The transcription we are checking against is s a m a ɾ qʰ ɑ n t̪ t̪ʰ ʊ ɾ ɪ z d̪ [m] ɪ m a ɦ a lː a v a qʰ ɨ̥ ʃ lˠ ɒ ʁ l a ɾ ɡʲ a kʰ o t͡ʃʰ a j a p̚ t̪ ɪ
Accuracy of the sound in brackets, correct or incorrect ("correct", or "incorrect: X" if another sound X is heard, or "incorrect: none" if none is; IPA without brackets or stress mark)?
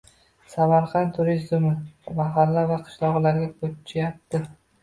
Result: correct